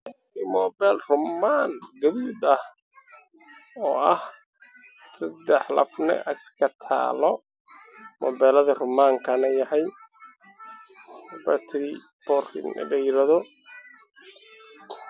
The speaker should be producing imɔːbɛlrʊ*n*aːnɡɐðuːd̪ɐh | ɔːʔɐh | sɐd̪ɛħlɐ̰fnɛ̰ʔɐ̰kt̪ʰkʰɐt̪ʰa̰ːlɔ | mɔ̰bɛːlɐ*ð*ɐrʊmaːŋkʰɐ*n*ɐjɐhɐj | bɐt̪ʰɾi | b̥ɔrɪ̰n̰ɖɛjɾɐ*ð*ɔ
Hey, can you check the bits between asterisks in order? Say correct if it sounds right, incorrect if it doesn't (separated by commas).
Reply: incorrect, correct, correct, correct